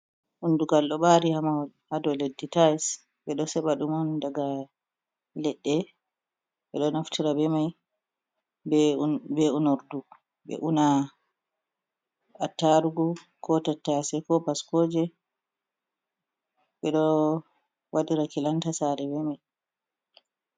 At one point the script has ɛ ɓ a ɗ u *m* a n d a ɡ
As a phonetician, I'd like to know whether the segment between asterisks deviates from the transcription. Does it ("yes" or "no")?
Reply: no